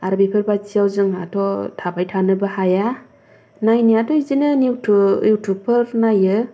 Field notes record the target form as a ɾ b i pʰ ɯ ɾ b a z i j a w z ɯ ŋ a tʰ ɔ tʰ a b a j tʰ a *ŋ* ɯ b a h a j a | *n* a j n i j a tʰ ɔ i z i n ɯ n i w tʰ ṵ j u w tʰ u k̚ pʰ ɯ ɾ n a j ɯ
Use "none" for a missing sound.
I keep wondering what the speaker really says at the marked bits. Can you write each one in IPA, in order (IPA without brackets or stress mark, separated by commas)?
n, n